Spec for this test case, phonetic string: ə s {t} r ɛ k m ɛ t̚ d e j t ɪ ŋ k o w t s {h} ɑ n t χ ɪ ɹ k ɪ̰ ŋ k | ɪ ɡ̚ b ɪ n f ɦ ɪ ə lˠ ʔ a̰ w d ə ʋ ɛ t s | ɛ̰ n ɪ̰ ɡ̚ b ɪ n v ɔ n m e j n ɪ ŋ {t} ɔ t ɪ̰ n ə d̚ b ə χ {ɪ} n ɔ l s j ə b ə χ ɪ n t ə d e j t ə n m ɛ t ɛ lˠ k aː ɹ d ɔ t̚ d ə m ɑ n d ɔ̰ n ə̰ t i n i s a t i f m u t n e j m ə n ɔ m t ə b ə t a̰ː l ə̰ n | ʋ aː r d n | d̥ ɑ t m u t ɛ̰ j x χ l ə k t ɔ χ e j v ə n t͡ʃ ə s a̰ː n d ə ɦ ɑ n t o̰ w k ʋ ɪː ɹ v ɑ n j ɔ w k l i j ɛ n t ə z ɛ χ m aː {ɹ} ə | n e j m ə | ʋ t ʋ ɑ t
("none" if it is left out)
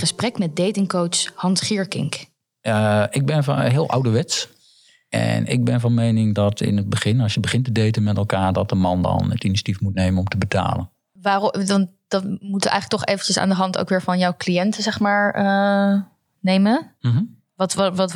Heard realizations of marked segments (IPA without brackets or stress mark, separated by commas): p, h, d, ɪ, ɹ